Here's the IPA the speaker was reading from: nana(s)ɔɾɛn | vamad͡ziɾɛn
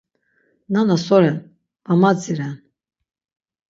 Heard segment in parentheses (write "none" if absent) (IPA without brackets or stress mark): s